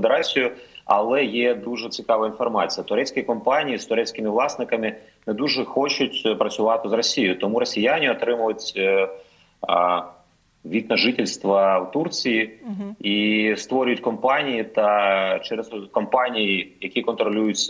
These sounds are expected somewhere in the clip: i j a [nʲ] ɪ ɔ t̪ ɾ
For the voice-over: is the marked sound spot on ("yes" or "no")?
yes